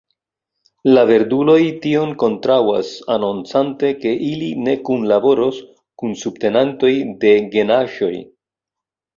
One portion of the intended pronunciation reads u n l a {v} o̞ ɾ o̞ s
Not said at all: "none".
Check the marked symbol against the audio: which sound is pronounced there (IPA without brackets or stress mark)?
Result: b